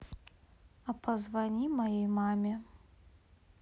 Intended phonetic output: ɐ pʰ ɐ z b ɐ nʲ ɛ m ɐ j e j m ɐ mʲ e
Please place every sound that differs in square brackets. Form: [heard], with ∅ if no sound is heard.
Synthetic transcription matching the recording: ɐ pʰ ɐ z [v] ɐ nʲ [i] m ɐ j e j m [a] mʲ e